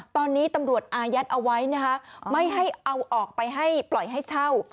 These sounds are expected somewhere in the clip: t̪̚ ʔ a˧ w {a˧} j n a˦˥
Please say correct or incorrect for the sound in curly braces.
incorrect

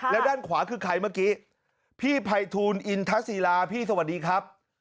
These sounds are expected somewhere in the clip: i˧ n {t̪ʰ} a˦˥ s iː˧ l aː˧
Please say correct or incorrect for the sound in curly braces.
correct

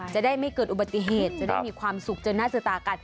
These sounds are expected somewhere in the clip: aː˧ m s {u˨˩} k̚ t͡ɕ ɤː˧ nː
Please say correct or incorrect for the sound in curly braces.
correct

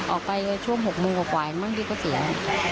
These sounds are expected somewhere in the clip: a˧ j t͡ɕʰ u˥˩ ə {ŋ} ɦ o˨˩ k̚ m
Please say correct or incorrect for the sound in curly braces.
correct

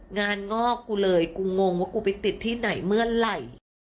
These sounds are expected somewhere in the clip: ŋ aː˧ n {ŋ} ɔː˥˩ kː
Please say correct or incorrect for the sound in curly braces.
correct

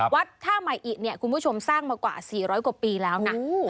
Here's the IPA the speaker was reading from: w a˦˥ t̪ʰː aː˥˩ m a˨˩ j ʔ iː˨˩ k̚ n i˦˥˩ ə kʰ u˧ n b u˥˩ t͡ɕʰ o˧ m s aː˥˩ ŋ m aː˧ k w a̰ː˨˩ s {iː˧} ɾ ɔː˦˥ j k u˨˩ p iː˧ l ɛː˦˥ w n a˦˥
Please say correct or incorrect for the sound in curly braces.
incorrect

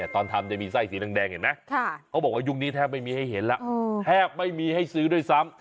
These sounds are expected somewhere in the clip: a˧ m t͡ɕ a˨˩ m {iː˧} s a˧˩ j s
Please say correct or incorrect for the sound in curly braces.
correct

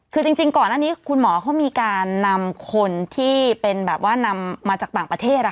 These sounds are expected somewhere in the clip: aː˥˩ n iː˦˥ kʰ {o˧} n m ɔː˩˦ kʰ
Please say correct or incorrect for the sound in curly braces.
incorrect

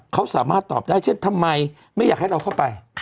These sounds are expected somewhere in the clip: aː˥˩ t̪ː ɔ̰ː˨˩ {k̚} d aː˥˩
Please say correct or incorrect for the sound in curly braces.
incorrect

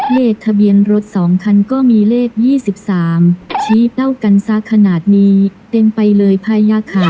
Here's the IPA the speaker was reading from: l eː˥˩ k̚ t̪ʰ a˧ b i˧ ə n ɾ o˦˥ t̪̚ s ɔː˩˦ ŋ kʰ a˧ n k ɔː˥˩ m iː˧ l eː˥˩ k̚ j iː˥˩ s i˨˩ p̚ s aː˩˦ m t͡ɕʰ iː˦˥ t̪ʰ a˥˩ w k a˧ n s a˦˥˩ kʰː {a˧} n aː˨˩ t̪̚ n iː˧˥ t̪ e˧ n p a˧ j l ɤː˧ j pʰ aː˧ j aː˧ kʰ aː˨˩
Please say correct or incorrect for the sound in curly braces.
correct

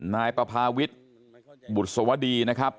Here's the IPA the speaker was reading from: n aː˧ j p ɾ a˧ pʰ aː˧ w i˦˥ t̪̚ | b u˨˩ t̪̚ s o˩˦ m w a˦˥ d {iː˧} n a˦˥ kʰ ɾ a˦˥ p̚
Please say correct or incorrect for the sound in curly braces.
correct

